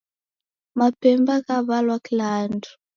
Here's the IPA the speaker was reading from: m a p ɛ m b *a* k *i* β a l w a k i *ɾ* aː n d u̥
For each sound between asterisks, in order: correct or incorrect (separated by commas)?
correct, incorrect, incorrect